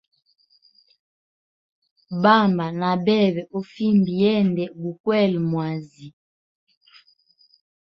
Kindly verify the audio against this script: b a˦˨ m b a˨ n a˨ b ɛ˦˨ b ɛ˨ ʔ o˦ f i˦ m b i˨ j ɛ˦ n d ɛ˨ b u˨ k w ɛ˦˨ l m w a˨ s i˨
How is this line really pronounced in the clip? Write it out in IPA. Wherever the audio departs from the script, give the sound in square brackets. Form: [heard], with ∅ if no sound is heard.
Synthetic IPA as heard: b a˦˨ m b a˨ n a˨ b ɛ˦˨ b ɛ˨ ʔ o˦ f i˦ m b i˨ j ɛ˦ n d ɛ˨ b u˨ k w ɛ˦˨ l m w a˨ [z] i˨